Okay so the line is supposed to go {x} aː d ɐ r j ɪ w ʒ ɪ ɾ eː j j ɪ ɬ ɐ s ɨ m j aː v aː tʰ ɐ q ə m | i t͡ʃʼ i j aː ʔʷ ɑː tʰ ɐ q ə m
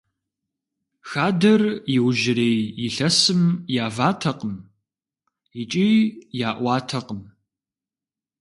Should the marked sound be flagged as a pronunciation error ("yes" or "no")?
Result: no